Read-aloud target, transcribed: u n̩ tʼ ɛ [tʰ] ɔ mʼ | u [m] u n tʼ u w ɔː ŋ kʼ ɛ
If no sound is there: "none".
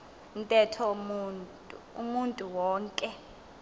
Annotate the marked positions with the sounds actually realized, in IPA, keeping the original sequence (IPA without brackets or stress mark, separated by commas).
tʰ, m